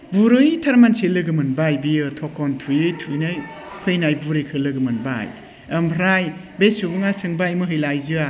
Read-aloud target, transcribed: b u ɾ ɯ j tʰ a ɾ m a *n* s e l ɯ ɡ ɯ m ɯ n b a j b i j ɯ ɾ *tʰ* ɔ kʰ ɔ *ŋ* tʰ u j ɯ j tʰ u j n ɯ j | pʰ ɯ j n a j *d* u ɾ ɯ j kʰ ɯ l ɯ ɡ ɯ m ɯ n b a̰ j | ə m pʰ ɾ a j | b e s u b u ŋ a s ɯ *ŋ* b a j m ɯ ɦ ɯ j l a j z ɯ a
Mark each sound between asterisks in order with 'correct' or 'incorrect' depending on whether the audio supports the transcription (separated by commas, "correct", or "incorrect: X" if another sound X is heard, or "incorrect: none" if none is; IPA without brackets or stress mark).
correct, correct, incorrect: n, incorrect: b, correct